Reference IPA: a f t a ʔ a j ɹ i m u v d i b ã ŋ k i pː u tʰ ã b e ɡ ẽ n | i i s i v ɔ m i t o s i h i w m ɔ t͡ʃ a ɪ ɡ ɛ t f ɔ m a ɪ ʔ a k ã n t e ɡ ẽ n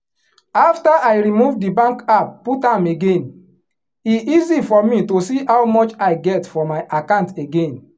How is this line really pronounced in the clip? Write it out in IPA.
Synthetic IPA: a f t a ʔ a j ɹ i m u v d i b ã ŋ k a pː u t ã m e ɡ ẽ n | i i z i f ɔ m i t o s i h a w m ɔ t͡ʃ a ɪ ɡ ɛ t f ɔ m a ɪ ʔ a k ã n t e ɡ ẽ n

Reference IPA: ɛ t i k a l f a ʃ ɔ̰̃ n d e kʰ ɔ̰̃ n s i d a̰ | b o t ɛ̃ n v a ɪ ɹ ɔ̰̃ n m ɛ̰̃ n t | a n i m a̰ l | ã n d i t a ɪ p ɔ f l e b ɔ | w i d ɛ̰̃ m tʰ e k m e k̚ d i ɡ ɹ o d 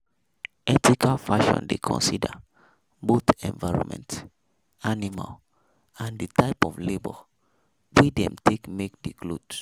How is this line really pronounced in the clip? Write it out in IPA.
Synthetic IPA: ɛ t i k a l f a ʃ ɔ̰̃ n d e kʰ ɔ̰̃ n s i d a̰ | b o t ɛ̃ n v a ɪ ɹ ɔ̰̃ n m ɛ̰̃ n t | a n i m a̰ l | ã n d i t a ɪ p ɔ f l e b ɔ | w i d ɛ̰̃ m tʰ e k m e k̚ d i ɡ l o d

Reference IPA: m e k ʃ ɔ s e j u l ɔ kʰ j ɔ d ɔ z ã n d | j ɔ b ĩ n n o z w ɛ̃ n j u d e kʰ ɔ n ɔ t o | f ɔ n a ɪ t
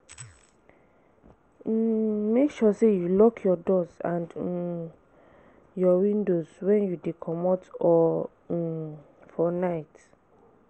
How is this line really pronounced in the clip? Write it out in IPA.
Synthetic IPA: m e k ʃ ɔ s e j u l ɔ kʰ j ɔ d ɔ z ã n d | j ɔ w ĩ n d o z w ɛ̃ n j u d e kʰ ɔ m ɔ t ɔ | f ɔ n a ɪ t

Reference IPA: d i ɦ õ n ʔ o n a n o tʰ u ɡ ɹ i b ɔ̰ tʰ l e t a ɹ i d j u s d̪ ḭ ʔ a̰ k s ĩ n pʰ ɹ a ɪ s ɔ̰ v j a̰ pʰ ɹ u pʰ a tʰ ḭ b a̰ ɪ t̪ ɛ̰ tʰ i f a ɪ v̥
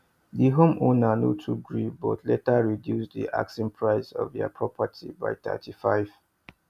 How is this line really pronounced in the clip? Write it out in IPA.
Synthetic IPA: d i ɦ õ m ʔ o n a n o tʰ u ɡ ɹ i b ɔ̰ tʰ l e t a ɹ i d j u s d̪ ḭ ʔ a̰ k s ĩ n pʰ ɹ a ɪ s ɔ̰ v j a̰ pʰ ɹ ɔ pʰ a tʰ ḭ b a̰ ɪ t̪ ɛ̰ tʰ i f a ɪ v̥

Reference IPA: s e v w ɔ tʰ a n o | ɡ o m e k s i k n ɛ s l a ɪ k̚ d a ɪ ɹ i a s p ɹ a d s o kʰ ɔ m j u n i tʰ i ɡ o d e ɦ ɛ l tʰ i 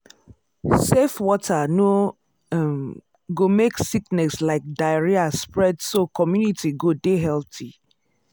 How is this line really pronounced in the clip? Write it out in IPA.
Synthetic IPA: s e f w ɔ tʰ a n o | ɡ o m e k s i k n ɛ s l a ɪ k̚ d a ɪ ɹ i a s p ɹ ɛ d s o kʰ ɔ m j u n i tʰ i ɡ o d e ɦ ɛ l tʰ i

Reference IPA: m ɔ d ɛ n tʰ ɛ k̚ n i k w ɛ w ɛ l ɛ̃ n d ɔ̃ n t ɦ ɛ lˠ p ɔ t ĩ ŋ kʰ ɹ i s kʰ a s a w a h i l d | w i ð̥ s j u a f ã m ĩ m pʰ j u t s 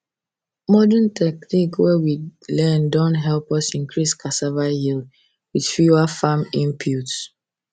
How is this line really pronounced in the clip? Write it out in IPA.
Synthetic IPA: m ɔ d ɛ n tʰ ɛ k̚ n i k w ɛ w i l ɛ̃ n d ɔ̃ n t ɦ ɛ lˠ p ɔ s ĩ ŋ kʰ ɹ i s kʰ a s a v a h i l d | w i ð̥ f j u a f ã m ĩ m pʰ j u t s

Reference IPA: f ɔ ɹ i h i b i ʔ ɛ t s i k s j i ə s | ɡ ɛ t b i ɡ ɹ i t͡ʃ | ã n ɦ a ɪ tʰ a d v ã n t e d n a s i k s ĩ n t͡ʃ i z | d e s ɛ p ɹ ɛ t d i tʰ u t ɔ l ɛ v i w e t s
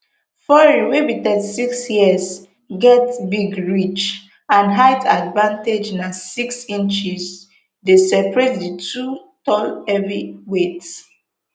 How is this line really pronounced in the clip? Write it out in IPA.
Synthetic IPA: f ɔ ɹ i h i b i t ɛ d s i k s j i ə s | ɡ ɛ t b i ɡ ɹ i t͡ʃ | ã n ɦ a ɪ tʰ a d v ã n t e d͡ʒ n a s i k s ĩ n t͡ʃ i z | d e s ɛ p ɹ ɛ t d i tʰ u t ɔ l ɛ v i w e t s

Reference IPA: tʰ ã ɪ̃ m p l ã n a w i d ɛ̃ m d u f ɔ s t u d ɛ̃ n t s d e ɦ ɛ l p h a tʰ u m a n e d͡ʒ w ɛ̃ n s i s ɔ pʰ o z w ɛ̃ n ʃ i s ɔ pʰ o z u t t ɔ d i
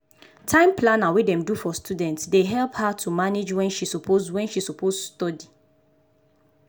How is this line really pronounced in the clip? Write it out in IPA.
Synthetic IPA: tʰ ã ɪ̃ m p l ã n a w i d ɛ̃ m d u f ɔ s t u d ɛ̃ n t s d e ɦ ɛ l p h a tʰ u m a n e d͡ʒ w ɛ̃ n ʃ i s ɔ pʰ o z w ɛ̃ n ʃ i s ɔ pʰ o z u s t ɔ d i

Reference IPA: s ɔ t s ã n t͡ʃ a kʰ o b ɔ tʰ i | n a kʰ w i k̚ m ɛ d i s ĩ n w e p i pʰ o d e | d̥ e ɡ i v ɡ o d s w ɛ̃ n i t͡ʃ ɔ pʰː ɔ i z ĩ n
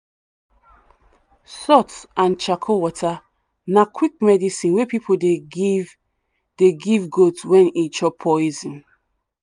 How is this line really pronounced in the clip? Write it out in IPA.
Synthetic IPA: s ɔ t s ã n t͡ʃ a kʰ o w ɔ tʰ a | n a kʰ w i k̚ m ɛ d i s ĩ n w e p i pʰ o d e | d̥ e ɡ i v ɡ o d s w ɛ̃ n i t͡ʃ ɔ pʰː ɔ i z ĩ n

